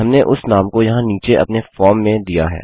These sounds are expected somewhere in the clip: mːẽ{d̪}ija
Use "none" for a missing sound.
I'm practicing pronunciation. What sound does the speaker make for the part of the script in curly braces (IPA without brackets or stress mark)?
d̪